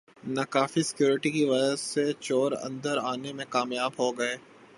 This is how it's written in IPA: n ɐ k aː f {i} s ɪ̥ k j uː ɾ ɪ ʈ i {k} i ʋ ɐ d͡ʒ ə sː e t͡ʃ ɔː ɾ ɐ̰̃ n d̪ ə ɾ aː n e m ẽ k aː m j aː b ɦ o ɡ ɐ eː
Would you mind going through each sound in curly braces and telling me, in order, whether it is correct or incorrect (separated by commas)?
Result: correct, correct